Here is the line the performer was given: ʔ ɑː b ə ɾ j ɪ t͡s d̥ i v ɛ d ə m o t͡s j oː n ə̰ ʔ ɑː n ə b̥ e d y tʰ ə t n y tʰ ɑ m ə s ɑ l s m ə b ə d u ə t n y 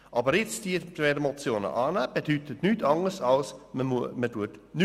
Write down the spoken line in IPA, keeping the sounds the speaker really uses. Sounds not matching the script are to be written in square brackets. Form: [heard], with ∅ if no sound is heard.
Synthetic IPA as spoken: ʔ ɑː b ə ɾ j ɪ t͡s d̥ i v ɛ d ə m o t͡s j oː n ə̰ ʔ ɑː n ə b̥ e d y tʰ ə t n y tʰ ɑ [ŋ] ə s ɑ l s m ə [m] ə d u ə t n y

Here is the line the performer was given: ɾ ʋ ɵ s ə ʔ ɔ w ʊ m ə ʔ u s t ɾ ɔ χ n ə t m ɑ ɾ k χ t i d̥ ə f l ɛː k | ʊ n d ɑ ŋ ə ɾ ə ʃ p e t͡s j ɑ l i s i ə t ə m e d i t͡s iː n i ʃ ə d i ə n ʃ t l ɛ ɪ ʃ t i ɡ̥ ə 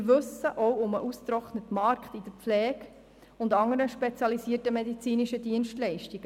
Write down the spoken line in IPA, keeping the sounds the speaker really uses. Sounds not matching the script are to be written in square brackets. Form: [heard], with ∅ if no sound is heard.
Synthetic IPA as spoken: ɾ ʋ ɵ s ə ʔ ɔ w ʊ m ə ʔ u s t ɾ ɔ χ n ə t m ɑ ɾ k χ t i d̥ ə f l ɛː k | ʊ n d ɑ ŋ ə ɾ ə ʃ p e t͡s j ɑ l i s i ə t ə m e d i t͡s iː n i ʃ ə d i ə n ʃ t l ɛ ɪ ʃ t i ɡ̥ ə

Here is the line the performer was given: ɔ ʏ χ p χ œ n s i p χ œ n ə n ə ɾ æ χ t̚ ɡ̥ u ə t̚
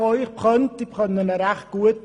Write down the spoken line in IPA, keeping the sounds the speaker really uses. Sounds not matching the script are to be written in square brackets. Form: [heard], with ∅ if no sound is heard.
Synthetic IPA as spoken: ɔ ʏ χ p χ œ n [t] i p χ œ n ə n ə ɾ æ χ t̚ ɡ̥ u ə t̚

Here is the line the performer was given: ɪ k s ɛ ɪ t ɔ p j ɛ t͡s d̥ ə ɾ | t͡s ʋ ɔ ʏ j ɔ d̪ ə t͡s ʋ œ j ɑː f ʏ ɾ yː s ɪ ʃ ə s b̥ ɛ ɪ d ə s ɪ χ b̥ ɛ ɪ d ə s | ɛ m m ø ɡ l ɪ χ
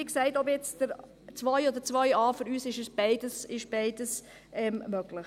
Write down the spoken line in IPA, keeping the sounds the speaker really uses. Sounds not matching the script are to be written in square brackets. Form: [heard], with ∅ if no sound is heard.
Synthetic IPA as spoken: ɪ k s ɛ ɪ t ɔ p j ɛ t͡s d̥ ə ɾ | t͡s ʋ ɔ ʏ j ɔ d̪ ə t͡s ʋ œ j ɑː f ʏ ɾ yː s ɪ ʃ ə s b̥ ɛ ɪ d ə s ɪ [ʃ] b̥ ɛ ɪ d ə s | ɛ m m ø ɡ l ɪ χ

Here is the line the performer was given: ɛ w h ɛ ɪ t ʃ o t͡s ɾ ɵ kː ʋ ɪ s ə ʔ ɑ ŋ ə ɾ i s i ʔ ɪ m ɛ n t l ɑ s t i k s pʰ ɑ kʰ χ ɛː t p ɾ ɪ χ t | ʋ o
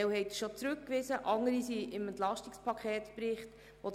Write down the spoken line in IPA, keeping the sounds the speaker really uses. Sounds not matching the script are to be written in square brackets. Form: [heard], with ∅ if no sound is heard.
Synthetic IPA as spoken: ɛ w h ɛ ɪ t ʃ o t͡s ɾ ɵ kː ʋ ɪ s ə ʔ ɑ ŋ ə ɾ i s i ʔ ɪ m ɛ n t l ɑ [ʃ] t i k s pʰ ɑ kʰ χ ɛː t p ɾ ɪ χ t | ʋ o

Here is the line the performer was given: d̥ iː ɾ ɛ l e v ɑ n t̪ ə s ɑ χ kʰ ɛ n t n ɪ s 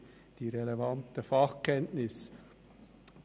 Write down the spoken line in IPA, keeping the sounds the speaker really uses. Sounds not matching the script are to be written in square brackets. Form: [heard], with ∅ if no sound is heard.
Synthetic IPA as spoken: d̥ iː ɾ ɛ l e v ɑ n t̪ ə [f] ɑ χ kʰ ɛ n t n ɪ s

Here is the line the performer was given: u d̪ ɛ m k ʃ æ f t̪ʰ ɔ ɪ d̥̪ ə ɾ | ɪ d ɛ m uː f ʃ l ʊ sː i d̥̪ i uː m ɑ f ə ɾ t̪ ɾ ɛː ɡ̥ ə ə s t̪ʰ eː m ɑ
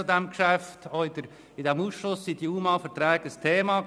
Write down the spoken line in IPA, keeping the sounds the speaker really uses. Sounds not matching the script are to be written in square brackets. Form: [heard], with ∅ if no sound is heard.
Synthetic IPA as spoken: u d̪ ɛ m k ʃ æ f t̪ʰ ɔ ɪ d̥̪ ə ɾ | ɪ d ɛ m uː [s] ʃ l ʊ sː i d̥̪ i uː m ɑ f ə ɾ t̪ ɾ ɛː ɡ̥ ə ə s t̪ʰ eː m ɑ

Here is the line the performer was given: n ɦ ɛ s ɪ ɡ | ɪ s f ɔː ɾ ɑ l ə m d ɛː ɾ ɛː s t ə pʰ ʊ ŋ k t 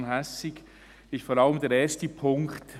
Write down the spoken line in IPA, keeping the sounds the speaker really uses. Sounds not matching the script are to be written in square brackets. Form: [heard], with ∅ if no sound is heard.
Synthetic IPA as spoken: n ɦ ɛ s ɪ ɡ | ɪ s f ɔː ɾ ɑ l ə m d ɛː ɾ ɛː s t ə pʰ ʊ ŋ k t

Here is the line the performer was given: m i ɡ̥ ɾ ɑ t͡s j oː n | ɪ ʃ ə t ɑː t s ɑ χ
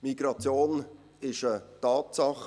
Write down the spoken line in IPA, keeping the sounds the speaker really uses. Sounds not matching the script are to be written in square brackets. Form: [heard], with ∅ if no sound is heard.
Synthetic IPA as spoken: m i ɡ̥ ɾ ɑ t͡s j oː n | ɪ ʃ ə t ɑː t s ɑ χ

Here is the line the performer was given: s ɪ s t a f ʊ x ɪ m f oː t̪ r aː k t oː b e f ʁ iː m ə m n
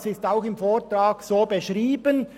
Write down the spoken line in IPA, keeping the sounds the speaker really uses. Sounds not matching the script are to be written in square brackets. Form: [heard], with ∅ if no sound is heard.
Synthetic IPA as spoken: s ɪ s t a [∅] ʊ x ɪ m f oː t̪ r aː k [s] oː b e [ʃ] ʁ iː [b] ə [∅] n

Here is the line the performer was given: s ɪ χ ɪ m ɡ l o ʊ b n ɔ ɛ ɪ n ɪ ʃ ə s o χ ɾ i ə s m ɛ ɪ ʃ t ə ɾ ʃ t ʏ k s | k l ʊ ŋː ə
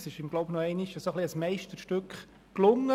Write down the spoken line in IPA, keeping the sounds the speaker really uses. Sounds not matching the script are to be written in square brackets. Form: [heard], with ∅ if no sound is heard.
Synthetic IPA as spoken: s ɪ [ʃ] ɪ m ɡ l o ʊ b n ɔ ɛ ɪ n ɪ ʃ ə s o χ [l] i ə s m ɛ ɪ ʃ t ə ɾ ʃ t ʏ k [χ] | k l ʊ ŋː ə

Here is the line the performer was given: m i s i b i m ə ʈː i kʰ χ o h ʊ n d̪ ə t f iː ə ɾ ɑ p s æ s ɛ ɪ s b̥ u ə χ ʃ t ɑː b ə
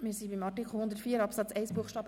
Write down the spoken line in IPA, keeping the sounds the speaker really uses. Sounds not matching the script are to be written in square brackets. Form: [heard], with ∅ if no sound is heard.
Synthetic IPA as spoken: m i s i b i m [ɑ] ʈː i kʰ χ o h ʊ n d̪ ə t f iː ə ɾ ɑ p s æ [t͡s] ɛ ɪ s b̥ u ə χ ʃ t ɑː b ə

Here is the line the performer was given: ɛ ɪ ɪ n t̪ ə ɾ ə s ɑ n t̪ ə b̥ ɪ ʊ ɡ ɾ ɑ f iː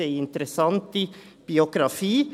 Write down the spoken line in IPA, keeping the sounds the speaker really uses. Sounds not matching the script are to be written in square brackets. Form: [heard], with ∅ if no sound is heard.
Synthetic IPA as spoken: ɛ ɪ ɪ n t̪ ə ɾ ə s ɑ n t̪ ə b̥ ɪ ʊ ɡ ɾ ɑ f iː

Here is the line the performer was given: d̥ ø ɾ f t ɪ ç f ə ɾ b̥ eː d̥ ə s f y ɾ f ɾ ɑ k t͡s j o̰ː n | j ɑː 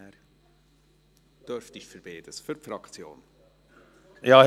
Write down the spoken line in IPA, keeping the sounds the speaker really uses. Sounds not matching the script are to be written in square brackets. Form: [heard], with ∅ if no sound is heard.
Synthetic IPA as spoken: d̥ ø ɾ f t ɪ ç f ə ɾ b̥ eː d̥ ə s f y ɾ f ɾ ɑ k t͡s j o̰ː n | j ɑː

